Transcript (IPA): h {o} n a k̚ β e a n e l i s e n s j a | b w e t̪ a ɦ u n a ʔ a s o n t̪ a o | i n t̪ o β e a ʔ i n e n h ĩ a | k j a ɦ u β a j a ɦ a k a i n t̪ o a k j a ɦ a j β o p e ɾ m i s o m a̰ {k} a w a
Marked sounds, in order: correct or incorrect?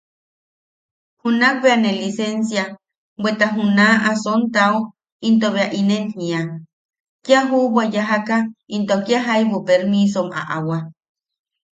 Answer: incorrect: u, incorrect: ʔ

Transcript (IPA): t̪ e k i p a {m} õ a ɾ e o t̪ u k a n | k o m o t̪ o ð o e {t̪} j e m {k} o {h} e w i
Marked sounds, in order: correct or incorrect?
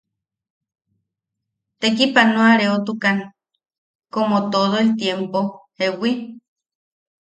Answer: incorrect: n, correct, incorrect: p, correct

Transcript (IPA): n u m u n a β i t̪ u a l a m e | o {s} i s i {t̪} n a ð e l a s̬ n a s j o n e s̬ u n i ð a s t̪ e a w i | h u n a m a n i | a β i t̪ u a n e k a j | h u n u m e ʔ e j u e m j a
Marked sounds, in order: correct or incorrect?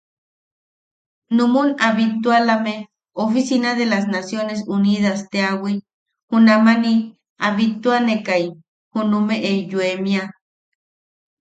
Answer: incorrect: f, incorrect: none

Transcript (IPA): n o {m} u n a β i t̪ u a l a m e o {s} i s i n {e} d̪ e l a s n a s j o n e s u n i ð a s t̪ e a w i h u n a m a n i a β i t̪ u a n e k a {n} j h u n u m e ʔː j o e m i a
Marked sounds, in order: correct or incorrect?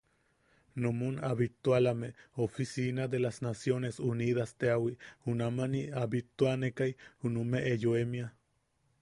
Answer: correct, incorrect: f, incorrect: a, incorrect: none

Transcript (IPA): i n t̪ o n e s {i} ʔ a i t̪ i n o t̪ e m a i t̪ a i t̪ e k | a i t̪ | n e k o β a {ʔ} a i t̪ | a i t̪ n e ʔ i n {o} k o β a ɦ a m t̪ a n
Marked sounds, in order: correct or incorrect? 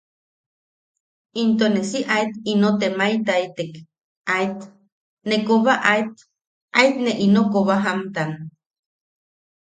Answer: correct, correct, correct

